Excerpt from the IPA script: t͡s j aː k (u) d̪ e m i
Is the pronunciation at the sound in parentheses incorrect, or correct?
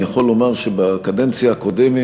incorrect